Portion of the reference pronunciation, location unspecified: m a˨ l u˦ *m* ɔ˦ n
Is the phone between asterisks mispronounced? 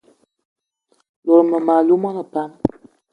no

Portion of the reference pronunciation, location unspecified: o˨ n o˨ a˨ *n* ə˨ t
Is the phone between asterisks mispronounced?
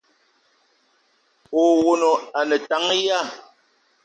no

